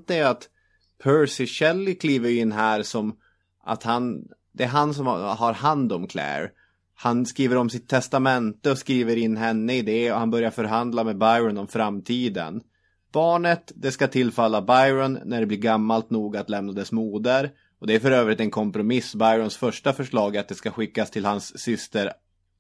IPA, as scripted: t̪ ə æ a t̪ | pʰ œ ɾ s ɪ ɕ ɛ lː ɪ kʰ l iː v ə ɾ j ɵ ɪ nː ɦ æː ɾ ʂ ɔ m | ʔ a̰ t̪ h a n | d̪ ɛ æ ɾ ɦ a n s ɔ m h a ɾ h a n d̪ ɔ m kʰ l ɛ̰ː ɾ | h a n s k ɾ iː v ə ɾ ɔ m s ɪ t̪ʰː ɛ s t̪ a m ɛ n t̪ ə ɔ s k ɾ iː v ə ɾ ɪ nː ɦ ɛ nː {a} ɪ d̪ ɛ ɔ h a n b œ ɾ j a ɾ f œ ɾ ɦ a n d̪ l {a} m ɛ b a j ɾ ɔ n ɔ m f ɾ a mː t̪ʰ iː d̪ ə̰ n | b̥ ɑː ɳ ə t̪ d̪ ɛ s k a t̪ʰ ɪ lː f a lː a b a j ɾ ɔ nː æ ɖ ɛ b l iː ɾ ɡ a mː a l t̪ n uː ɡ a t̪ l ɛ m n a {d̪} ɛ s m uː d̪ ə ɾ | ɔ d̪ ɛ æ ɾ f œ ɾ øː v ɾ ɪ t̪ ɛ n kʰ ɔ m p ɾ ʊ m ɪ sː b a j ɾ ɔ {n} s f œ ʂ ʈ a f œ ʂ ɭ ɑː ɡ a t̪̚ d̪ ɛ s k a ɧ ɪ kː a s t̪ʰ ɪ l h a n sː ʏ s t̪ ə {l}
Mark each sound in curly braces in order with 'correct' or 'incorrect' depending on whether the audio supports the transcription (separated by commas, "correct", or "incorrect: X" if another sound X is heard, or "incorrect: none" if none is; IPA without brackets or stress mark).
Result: incorrect: ə, correct, correct, correct, incorrect: ɾ